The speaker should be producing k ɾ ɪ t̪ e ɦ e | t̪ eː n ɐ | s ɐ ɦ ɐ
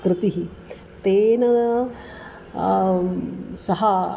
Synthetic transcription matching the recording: k ɾ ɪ t̪ i ɦ i | t̪ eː n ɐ | s ɐ ɦ ɐ